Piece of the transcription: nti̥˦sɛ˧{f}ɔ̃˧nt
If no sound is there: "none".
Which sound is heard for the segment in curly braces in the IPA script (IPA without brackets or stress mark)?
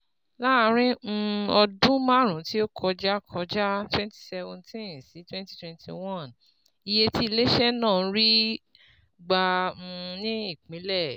v